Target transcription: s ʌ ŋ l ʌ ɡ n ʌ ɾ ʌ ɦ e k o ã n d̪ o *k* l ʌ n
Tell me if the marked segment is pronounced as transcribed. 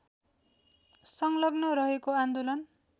no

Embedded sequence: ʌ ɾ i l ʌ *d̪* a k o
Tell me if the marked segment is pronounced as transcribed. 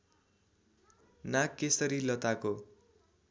no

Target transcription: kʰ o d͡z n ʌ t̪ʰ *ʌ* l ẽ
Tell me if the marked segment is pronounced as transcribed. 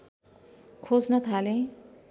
no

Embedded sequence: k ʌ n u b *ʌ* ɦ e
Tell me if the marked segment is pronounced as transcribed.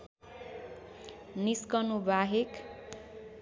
no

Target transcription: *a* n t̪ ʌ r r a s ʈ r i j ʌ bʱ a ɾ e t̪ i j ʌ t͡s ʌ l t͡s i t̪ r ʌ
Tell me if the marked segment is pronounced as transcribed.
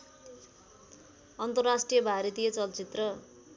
no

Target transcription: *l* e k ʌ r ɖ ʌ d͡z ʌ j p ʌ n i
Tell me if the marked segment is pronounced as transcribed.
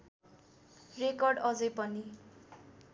no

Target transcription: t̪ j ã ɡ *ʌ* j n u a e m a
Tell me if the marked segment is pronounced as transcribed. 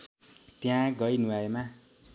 yes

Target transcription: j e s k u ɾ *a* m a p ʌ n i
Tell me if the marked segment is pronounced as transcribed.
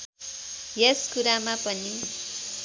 yes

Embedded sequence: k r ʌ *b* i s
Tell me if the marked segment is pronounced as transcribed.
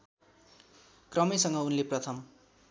no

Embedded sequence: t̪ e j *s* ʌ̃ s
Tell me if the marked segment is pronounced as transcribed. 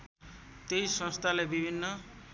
yes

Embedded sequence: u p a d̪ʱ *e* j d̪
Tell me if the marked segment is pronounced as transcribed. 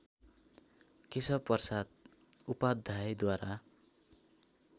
no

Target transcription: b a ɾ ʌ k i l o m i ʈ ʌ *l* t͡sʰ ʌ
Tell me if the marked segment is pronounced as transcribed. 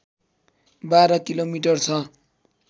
no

